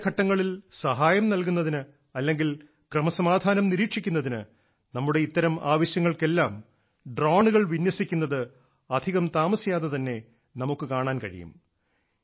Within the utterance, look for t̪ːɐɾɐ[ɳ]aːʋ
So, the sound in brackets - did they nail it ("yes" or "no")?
no